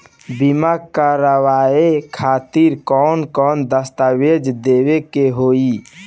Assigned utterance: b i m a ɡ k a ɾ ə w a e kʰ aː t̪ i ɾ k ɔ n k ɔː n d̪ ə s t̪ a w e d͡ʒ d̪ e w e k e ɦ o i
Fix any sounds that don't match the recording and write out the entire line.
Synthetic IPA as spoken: b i m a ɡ k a ɾ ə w a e kʰ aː t̪ i ɾ k ɔ n k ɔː n d̪ ə s t̪ a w e d͡ʒ d̪ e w e k e ɦ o i